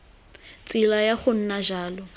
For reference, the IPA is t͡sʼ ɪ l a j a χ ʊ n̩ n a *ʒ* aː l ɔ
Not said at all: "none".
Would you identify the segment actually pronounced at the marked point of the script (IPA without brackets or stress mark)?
ʒ